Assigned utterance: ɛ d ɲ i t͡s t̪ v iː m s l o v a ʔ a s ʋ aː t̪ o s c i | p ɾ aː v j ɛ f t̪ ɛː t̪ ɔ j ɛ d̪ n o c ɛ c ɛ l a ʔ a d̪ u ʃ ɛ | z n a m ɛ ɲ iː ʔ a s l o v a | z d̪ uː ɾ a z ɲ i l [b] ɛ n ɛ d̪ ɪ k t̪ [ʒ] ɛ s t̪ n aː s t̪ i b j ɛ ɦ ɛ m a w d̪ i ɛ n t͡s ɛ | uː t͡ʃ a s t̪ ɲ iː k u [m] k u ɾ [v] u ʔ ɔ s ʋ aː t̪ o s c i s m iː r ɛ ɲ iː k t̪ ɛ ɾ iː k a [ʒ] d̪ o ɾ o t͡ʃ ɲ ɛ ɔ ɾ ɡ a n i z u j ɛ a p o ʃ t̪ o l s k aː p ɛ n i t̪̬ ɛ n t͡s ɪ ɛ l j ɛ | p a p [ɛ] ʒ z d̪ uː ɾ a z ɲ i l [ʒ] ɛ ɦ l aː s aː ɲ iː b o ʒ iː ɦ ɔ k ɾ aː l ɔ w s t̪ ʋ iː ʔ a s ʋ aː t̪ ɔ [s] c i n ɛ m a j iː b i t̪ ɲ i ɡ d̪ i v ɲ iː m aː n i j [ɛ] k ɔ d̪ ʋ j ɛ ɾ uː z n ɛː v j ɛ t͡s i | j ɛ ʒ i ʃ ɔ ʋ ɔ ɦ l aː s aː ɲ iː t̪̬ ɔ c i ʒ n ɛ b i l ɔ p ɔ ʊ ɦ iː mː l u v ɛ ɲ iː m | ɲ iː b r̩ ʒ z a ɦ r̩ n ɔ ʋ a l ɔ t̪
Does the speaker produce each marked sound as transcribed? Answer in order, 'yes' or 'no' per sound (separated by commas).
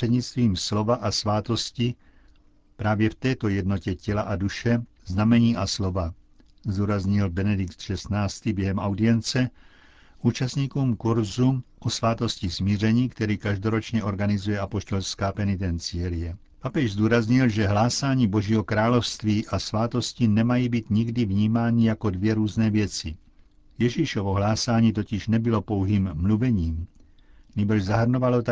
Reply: yes, no, yes, no, yes, yes, yes, yes, no